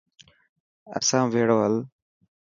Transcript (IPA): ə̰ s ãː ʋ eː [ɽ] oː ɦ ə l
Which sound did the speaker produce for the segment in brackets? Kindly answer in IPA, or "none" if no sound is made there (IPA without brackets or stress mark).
ɽ